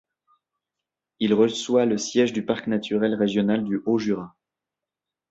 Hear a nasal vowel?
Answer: no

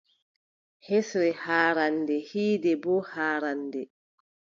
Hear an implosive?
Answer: no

